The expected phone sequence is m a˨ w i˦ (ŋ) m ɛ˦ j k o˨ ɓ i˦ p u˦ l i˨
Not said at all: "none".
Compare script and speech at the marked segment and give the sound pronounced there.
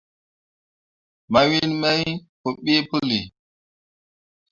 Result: n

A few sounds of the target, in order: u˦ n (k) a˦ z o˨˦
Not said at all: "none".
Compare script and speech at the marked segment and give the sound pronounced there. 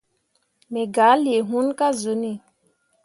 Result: k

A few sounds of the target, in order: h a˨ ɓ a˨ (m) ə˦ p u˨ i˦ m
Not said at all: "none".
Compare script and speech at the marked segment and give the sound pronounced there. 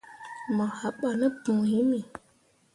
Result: n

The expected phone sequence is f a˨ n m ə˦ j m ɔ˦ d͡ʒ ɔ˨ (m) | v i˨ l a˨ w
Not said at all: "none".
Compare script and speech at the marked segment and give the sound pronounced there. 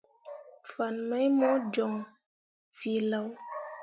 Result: ŋ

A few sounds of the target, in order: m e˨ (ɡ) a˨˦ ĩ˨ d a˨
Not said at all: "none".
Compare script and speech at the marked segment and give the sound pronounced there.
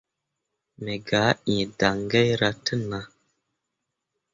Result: ɡ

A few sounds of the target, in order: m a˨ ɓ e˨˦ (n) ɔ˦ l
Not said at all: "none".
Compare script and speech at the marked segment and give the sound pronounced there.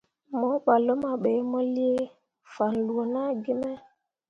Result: m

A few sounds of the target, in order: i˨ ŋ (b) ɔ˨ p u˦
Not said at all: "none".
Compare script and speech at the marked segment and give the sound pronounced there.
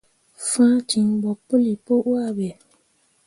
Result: b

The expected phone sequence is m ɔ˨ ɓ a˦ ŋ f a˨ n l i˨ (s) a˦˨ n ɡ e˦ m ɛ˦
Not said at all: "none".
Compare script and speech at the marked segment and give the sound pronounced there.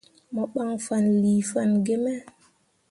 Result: f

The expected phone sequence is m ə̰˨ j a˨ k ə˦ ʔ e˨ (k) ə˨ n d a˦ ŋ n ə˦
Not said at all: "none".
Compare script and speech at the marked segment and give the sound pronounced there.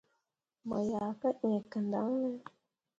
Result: k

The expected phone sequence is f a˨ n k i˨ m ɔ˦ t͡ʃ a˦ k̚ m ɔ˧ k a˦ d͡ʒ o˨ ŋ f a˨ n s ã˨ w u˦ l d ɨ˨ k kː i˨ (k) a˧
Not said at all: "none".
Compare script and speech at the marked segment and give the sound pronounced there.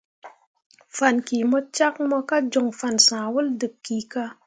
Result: k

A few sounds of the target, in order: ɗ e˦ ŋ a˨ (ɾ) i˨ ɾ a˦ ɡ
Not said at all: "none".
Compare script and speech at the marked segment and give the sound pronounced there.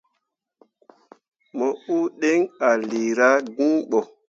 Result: l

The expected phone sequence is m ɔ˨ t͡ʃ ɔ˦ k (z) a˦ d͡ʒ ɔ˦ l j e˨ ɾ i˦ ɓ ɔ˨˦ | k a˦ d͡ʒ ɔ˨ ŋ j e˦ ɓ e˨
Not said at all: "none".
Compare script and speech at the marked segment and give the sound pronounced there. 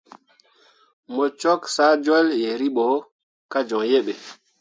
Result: s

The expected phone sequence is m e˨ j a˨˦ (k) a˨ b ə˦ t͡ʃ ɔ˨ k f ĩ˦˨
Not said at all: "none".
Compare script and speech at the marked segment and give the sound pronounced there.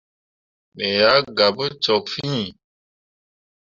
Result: ɡ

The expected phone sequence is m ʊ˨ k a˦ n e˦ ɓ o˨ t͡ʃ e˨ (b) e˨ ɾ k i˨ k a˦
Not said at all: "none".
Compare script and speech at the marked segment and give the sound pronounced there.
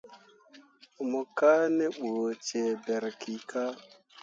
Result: b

